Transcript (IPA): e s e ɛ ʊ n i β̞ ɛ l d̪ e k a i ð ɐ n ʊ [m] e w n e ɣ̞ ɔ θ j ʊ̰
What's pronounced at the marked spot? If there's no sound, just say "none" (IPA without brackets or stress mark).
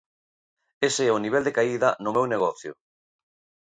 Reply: m